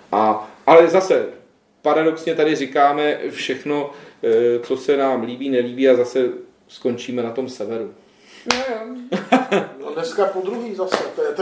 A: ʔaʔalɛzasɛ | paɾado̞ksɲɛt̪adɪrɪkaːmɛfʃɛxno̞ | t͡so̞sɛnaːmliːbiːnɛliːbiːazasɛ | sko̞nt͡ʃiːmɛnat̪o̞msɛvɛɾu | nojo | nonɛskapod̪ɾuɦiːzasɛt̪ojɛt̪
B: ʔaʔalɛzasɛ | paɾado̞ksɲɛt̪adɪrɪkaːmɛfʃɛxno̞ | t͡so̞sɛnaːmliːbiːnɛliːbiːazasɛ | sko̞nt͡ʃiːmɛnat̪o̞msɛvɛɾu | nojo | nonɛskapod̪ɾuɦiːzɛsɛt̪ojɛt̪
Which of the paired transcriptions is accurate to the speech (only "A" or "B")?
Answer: A